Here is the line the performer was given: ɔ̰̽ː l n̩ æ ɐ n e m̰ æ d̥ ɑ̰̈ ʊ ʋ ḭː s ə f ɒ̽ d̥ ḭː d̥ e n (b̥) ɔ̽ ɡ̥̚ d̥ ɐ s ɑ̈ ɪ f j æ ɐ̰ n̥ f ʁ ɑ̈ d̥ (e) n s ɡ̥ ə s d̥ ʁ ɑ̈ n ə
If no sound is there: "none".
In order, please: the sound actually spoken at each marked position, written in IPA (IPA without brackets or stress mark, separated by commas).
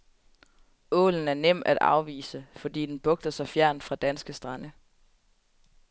b̥, æ